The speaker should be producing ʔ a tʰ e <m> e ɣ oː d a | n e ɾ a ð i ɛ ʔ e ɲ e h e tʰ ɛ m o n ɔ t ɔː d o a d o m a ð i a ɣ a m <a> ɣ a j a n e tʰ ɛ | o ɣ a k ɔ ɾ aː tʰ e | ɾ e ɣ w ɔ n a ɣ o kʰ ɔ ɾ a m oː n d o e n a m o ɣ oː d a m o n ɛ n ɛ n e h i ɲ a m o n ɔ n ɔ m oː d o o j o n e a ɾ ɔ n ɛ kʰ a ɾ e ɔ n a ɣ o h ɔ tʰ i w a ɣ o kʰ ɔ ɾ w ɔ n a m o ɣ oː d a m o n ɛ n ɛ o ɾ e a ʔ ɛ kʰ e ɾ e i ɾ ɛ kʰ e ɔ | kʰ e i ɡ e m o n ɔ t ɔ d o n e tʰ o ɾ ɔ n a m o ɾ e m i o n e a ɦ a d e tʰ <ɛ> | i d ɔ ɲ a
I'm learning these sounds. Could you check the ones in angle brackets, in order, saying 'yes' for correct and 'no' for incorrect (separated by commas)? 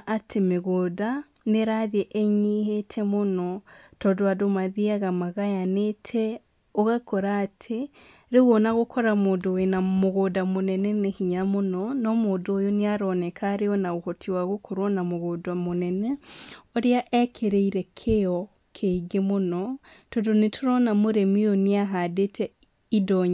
yes, yes, yes